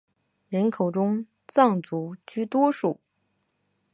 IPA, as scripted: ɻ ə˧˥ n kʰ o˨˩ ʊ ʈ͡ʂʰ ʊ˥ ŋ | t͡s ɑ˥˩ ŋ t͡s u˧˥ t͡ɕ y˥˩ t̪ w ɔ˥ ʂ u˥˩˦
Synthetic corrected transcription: ɻ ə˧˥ n kʰ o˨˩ ʊ ʈ͡ʂ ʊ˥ ŋ | t͡s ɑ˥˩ ŋ t͡s u˧˥ t͡ɕ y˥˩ t̪ w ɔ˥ ʂ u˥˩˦